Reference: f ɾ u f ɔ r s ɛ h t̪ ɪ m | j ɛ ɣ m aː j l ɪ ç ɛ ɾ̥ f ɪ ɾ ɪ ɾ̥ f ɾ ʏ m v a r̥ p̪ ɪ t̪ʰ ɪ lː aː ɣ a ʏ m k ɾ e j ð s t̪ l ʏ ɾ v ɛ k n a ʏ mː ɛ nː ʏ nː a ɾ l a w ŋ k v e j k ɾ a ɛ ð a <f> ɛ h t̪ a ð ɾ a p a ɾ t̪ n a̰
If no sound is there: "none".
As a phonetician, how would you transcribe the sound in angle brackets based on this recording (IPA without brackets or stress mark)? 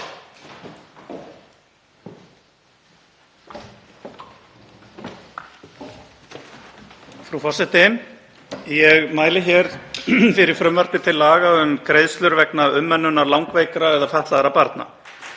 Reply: f